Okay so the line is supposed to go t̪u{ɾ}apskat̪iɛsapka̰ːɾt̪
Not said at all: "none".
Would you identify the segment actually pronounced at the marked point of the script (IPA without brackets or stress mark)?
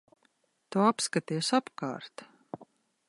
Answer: none